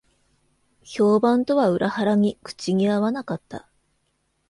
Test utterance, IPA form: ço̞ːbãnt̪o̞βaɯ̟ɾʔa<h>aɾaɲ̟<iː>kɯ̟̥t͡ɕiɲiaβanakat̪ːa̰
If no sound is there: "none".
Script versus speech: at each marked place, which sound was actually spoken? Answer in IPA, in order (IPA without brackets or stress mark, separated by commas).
h, i